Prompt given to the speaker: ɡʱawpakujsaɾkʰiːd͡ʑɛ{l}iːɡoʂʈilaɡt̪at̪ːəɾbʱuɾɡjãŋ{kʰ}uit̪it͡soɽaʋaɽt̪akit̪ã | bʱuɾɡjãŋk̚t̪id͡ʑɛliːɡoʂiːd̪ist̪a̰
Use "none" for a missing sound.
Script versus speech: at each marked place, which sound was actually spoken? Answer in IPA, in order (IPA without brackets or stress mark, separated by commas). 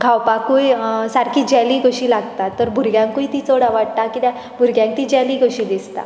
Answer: l, k